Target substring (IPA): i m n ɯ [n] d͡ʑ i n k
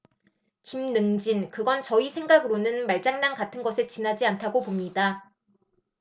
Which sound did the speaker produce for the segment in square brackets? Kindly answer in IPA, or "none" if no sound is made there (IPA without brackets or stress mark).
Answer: ŋ